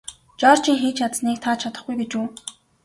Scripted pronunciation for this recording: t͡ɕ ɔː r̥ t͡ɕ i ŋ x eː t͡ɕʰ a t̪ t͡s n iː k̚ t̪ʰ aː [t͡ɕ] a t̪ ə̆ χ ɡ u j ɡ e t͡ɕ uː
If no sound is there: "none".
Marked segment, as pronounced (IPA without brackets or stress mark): t͡ɕʰ